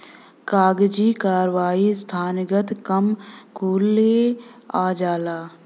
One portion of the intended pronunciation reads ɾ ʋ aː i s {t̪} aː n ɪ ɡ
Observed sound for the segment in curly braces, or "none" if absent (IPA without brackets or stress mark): t̪ʰ